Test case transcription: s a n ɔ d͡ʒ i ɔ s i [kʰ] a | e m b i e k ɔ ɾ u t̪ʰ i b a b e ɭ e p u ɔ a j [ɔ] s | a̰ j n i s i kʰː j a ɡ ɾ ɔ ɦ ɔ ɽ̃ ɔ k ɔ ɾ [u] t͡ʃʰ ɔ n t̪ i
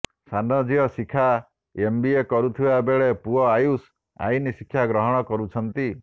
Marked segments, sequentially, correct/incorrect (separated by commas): correct, incorrect, correct